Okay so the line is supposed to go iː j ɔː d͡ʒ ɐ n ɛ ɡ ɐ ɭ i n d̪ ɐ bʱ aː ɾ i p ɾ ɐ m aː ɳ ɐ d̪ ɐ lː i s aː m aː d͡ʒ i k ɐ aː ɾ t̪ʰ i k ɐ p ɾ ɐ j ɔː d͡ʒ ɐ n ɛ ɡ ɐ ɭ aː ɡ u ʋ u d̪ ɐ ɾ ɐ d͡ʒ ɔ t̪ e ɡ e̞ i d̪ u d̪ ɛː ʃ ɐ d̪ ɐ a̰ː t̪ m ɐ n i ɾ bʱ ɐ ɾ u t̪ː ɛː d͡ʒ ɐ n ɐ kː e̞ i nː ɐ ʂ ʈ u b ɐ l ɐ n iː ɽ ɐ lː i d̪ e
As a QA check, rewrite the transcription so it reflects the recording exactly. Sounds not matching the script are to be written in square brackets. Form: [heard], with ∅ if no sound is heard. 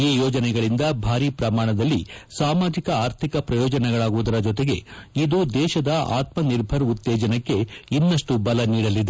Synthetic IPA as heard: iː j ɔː d͡ʒ ɐ n ɛ ɡ ɐ ɭ i n d̪ ɐ bʱ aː ɾ i p ɾ ɐ m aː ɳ ɐ d̪ ɐ lː i s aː m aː d͡ʒ i k ɐ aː ɾ t̪ʰ i k ɐ p ɾ ɐ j ɔː d͡ʒ ɐ n ɛ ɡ ɐ ɭ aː ɡ u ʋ u d̪ ɐ ɾ ɐ d͡ʒ ɔ t̪ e ɡ e̞ i d̪ u d̪ ɛː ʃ ɐ d̪ ɐ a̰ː t̪ m ɐ n i ɾ bʱ ɐ ɾ u t̪ː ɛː d͡ʒ ɐ n ɐ kː e̞ i nː ɐ ʂ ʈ u b ɐ l ɐ n iː ɽ ɐ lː i d̪ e

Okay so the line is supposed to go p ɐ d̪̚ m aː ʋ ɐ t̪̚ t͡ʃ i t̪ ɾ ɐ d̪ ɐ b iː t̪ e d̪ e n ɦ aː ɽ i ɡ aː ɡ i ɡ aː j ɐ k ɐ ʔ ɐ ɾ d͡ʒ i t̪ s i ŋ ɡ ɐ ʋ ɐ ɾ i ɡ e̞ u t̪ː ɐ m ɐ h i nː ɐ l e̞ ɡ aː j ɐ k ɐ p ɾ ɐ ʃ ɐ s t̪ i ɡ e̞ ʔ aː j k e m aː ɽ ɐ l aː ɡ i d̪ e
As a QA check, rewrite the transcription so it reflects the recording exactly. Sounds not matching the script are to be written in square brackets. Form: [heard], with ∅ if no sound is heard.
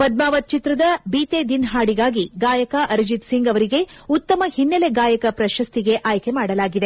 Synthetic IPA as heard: p ɐ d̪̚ m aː ʋ ɐ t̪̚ t͡ʃ i t̪ ɾ ɐ d̪ ɐ b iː t̪ e d̪ [i] n ɦ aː ɽ i ɡ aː ɡ i ɡ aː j ɐ k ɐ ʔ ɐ ɾ d͡ʒ i t̪ s i ŋ ɡ ɐ ʋ ɐ ɾ i ɡ e̞ u t̪ː ɐ m ɐ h i nː ɐ l e̞ ɡ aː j ɐ k ɐ p ɾ ɐ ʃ ɐ s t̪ i ɡ e̞ ʔ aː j k e m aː ɽ ɐ l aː ɡ i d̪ e

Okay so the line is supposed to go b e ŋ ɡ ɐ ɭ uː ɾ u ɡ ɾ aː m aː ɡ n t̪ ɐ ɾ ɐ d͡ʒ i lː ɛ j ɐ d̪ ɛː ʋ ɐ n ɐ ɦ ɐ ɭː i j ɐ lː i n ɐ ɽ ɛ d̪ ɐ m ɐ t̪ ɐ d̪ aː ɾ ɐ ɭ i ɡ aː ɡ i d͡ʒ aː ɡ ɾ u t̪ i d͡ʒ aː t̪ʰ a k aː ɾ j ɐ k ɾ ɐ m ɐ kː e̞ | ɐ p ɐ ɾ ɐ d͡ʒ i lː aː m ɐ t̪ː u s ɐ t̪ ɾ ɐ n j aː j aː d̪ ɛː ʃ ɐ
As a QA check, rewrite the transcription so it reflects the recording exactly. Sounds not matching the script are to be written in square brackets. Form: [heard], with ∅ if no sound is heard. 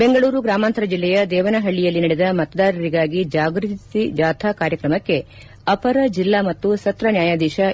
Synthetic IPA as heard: b e ŋ ɡ ɐ ɭ uː ɾ u ɡ ɾ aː m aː [∅] n t̪ ɐ ɾ ɐ d͡ʒ i lː ɛ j ɐ d̪ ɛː ʋ ɐ n ɐ ɦ ɐ ɭː i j ɐ lː i n ɐ ɽ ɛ d̪ ɐ m ɐ t̪ ɐ d̪ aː ɾ ɐ [ɾ] i ɡ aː ɡ i d͡ʒ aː ɡ ɾ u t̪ i d͡ʒ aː t̪ʰ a k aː ɾ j ɐ k ɾ ɐ m ɐ kː e̞ | ɐ p ɐ ɾ ɐ d͡ʒ i lː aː m ɐ t̪ː u s ɐ t̪ ɾ ɐ n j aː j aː d̪ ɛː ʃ ɐ

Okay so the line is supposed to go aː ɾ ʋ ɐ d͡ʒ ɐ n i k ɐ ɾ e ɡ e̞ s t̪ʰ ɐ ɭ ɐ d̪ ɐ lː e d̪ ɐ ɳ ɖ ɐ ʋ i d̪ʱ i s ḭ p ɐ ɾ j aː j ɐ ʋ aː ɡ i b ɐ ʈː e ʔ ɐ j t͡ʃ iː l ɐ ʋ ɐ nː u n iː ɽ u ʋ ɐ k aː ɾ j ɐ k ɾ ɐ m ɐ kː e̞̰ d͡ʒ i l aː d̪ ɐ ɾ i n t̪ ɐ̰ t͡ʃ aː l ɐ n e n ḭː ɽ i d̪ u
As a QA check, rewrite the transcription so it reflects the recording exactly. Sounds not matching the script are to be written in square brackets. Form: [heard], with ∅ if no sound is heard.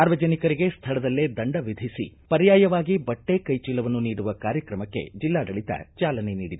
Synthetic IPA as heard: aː ɾ ʋ ɐ d͡ʒ ɐ n i k ɐ ɾ [i] ɡ e̞ s t̪ʰ ɐ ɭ ɐ d̪ ɐ lː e d̪ ɐ ɳ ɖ ɐ ʋ i d̪ʱ i s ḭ p ɐ ɾ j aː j ɐ ʋ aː ɡ i b ɐ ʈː e [k] ɐ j t͡ʃ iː l ɐ ʋ ɐ nː u n iː ɽ u ʋ ɐ k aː ɾ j ɐ k ɾ ɐ m ɐ kː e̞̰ d͡ʒ i [lː] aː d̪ ɐ [ɭ] i [∅] t̪ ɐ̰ t͡ʃ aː l ɐ n e n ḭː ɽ i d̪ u

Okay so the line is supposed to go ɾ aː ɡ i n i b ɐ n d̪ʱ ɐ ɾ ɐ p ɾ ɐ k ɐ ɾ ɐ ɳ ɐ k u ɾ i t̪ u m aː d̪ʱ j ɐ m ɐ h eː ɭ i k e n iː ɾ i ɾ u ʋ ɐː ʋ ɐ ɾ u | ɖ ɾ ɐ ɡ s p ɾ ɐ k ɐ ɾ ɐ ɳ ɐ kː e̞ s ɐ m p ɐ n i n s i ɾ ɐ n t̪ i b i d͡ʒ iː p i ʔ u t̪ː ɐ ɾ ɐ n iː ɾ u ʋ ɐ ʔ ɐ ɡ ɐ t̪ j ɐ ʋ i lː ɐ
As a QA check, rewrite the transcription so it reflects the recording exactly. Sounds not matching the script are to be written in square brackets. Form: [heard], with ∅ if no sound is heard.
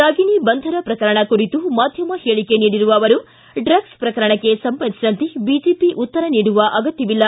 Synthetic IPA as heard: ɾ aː ɡ i n i b ɐ n d̪ʱ ɐ ɾ ɐ p ɾ ɐ k ɐ ɾ ɐ ɳ ɐ k u ɾ i t̪ u m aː d̪ʱ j ɐ m ɐ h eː ɭ i k e n iː [ɽ] i ɾ u ʋ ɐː ʋ ɐ ɾ u | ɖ ɾ ɐ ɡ s p ɾ ɐ k ɐ ɾ ɐ ɳ ɐ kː e̞ s ɐ m p ɐ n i [∅] s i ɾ ɐ n t̪ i b i d͡ʒ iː p i ʔ u t̪ː ɐ ɾ ɐ n iː [ɽ] u ʋ ɐ ʔ ɐ ɡ ɐ t̪ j ɐ ʋ i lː ɐ

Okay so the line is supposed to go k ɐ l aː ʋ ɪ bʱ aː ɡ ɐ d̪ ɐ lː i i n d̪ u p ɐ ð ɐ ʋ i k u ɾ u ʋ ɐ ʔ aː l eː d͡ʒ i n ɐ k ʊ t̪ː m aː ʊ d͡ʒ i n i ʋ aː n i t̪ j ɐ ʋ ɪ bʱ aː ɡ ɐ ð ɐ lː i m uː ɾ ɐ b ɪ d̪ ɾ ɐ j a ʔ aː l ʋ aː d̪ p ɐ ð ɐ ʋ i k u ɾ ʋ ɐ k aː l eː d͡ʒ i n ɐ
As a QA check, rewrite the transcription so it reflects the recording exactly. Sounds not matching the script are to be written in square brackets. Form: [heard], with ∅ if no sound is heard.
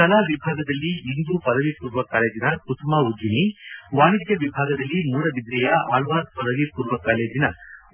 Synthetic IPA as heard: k ɐ l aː ʋ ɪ bʱ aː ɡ ɐ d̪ ɐ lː i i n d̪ u p ɐ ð ɐ ʋ i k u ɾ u ʋ ɐ [k] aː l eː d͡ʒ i n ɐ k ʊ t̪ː m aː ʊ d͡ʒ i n i ʋ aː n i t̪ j ɐ ʋ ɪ bʱ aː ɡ ɐ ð ɐ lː i m uː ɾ ɐ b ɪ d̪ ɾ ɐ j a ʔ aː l ʋ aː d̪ p ɐ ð ɐ ʋ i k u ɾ ʋ ɐ k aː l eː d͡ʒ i n ɐ

